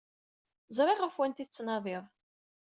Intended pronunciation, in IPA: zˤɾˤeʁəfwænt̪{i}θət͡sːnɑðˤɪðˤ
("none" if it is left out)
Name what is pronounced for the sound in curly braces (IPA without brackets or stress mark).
i